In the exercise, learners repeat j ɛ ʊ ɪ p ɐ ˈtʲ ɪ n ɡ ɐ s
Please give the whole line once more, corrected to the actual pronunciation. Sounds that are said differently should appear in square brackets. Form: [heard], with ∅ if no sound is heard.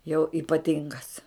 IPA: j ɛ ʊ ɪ p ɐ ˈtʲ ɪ [ŋ] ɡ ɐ s